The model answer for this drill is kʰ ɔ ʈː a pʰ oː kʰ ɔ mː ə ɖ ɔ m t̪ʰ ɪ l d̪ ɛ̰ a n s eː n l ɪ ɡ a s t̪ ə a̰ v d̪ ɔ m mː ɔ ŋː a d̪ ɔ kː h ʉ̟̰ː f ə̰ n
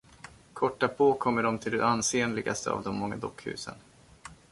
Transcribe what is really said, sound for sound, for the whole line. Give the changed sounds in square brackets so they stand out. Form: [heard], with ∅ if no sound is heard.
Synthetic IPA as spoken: kʰ ɔ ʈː a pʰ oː kʰ ɔ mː ə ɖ ɔ m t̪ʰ ɪ l d̪ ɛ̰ a n s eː n l ɪ ɡ a s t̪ ə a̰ v d̪ ɔ m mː ɔ ŋː a d̪ ɔ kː h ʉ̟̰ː [s] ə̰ n